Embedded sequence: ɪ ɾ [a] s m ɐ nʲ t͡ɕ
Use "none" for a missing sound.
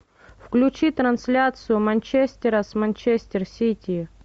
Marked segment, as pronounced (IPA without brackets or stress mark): ə